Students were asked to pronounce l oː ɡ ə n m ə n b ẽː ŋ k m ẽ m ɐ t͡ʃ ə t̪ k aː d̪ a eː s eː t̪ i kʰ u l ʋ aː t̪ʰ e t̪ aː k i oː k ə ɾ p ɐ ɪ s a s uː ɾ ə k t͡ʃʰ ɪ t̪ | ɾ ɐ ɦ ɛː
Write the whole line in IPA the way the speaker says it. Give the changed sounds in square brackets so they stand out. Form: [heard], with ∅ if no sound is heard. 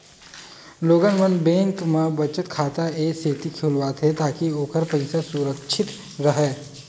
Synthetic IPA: l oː ɡ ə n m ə n b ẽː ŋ k m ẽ [b] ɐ t͡ʃ ə t̪ [kʰ] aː [t̪] a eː s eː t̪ i kʰ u l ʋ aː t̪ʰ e t̪ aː k i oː k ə ɾ p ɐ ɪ s a s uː ɾ ə k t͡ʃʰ ɪ t̪ | ɾ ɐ ɦ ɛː